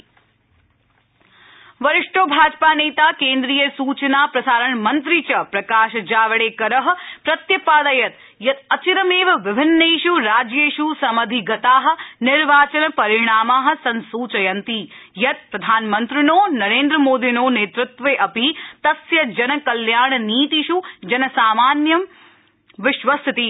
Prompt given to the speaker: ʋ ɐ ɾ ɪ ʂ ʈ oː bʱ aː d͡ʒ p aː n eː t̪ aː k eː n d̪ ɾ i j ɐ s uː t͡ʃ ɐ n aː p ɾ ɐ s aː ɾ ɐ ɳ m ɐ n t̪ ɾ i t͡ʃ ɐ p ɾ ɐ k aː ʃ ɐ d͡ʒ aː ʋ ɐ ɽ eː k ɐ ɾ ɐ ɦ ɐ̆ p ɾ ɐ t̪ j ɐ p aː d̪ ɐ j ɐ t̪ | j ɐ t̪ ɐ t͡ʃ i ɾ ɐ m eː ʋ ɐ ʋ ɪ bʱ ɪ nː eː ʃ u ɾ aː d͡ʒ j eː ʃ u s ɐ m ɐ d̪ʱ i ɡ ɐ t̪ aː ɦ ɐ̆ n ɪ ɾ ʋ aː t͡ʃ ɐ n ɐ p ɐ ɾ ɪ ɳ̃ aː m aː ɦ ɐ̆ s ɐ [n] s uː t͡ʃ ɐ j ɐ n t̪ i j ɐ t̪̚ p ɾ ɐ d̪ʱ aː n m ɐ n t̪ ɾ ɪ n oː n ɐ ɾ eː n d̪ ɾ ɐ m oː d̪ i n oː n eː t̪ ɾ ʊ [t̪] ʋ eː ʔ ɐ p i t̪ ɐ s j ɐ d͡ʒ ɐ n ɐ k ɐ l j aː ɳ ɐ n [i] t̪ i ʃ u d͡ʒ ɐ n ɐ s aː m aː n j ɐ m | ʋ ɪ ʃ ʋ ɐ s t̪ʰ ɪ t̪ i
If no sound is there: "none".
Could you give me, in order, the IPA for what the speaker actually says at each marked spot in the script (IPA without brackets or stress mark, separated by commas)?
n, t̪, iː